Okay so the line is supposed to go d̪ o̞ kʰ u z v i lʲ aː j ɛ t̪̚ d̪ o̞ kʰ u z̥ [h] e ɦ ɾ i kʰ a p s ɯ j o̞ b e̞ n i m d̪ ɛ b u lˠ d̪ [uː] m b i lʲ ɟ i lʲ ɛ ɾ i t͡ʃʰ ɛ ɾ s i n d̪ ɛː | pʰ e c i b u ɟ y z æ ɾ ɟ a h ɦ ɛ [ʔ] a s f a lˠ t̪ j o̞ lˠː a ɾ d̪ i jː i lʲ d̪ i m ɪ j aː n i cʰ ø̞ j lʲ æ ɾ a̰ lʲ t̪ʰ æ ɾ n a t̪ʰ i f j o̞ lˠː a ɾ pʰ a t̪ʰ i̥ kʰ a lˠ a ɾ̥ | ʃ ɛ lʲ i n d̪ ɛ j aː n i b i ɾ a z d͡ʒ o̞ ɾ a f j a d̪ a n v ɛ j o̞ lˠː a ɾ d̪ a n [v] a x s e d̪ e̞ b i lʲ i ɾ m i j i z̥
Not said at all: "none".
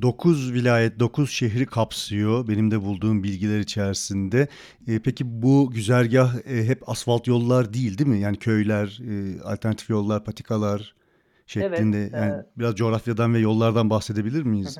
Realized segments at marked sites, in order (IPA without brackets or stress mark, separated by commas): ʃ, uː, p, b